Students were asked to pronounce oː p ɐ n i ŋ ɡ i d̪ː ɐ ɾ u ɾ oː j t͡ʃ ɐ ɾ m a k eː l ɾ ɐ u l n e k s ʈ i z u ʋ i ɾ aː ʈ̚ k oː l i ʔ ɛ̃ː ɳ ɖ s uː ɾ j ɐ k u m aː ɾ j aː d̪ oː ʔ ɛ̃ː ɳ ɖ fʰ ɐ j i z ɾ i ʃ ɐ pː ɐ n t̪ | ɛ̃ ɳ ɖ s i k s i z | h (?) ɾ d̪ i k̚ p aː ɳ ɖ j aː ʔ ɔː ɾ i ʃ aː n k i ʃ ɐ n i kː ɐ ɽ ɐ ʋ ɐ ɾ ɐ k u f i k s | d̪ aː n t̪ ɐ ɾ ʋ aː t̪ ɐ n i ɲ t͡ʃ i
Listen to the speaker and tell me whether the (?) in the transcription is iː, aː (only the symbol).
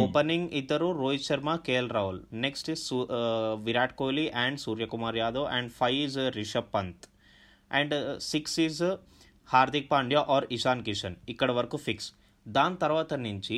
aː